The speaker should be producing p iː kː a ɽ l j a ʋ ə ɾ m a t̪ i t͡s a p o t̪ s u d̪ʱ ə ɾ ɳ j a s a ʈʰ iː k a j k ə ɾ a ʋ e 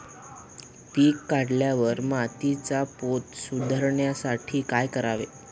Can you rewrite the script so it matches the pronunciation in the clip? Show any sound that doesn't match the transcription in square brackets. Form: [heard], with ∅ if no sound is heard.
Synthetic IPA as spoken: p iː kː a ɽ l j a ʋ ə ɾ m a t̪ i t͡s a p o t̪ s u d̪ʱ ə ɾ ɳ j a s a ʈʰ iː k a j k ə ɾ a ʋ e